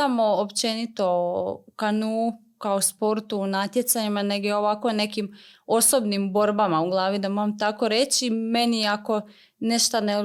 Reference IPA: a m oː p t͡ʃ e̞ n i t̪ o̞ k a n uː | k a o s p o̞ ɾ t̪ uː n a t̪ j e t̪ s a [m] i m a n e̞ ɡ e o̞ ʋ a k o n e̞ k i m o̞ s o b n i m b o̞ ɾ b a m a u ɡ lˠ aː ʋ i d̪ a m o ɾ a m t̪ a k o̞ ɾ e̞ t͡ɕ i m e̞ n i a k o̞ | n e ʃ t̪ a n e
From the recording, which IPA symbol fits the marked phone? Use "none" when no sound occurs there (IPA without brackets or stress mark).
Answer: ɲ